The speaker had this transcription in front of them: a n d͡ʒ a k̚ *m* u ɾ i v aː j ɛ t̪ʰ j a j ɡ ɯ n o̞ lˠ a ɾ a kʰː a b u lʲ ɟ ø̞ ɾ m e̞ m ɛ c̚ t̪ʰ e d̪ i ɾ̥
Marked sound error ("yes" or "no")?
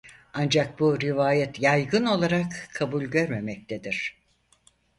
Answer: yes